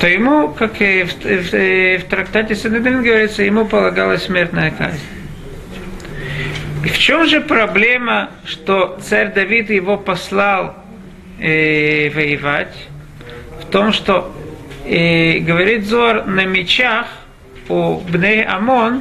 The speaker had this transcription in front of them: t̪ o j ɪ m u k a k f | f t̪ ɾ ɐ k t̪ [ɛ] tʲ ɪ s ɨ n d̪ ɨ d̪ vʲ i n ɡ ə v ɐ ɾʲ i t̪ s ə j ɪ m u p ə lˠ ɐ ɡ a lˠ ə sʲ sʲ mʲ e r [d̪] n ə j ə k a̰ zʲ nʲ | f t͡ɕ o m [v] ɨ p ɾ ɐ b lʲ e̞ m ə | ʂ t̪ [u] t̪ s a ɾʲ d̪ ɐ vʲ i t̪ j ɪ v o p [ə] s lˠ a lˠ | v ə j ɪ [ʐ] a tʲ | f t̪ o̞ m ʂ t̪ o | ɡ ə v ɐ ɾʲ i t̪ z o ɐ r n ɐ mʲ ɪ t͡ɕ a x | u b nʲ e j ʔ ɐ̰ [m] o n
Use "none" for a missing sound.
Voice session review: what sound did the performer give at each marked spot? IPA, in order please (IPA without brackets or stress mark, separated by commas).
a, t̪, ʐ, o, ɐ, v, m